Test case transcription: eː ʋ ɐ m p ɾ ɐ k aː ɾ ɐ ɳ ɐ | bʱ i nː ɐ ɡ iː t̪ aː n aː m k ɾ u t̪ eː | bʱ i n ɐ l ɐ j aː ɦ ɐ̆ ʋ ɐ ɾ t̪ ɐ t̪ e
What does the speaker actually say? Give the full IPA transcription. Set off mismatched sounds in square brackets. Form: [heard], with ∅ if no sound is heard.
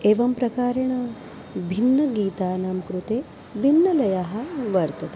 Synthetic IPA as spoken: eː ʋ ɐ m p ɾ ɐ k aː ɾ ɐ ɳ ɐ | bʱ i nː ɐ ɡ iː t̪ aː n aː m k ɾ u t̪ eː | bʱ i [nː] ɐ l ɐ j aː ɦ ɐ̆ ʋ ɐ ɾ t̪ ɐ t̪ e